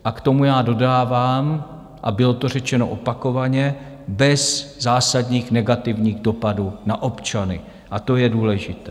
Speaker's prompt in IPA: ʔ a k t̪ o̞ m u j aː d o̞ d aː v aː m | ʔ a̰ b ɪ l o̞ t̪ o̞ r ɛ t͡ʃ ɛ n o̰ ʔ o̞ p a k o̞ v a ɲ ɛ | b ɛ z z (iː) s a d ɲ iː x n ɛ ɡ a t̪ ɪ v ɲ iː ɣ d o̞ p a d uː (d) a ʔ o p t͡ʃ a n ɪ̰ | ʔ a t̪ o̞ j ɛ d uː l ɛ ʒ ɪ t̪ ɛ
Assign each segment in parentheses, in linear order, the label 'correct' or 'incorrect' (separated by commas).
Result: incorrect, incorrect